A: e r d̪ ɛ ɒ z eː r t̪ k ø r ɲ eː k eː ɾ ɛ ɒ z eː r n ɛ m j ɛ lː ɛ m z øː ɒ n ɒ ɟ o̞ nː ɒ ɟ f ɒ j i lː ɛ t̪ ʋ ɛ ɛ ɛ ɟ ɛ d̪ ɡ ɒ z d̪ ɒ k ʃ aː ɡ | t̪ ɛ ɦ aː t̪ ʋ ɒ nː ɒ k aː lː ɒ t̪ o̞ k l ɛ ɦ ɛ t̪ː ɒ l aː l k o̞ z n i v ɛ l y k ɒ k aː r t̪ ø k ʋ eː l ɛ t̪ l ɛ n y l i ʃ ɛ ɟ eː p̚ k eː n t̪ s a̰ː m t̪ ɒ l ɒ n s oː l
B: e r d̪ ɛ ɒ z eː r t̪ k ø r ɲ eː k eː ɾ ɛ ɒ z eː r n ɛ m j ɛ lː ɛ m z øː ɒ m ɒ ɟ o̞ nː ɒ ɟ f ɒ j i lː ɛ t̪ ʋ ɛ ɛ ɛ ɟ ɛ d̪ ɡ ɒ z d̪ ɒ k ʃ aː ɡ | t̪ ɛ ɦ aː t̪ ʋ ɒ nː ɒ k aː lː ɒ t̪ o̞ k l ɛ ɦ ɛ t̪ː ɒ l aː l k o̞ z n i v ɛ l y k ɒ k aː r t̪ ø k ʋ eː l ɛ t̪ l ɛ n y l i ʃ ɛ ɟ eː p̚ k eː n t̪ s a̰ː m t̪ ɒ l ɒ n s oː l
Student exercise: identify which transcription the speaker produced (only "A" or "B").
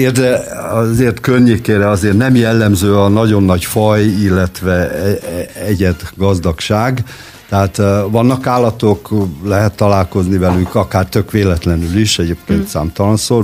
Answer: A